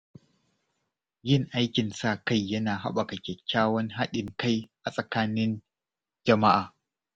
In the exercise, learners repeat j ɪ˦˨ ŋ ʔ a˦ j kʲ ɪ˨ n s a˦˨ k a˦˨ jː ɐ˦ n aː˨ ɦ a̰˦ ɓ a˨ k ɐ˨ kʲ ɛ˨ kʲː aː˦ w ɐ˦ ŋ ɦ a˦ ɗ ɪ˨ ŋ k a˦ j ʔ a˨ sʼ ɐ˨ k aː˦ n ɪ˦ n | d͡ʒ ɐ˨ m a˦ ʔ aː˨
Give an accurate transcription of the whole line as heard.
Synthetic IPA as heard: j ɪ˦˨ ŋ ʔ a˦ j kʲ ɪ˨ n s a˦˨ k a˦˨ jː ɐ˦ n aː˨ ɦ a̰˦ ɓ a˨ k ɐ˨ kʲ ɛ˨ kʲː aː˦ w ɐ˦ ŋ ɦ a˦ ɗ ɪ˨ ŋ k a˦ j ʔ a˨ sʼ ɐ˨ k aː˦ n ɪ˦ n | d͡ʒ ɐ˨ m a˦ ʔ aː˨

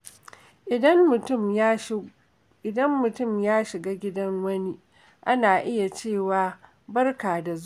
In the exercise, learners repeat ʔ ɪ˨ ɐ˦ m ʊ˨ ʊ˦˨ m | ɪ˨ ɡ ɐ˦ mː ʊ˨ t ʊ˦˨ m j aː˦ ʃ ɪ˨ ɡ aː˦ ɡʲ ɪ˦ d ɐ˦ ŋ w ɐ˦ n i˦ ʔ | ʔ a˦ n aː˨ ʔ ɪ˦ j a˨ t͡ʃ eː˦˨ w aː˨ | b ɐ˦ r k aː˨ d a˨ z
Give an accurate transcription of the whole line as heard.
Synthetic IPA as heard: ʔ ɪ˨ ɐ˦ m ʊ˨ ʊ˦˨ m | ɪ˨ d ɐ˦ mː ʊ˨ t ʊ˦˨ m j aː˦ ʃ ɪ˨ ɡ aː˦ ɡʲ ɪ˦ d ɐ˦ ŋ w ɐ˦ n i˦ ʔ | ʔ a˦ n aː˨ ʔ ɪ˦ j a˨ t͡ʃ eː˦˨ w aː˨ | b ɐ˦ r k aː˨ d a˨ z

